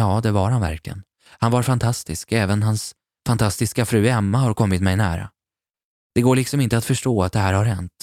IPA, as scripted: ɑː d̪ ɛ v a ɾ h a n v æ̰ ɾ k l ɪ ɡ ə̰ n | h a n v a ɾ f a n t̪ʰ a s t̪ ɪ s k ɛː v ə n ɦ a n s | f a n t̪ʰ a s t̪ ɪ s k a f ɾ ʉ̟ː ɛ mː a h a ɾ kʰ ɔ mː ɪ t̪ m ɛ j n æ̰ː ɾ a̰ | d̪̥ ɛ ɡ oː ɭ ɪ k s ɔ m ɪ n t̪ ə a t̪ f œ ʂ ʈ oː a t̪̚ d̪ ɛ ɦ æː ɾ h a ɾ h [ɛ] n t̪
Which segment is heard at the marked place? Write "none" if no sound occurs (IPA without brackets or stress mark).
ɛ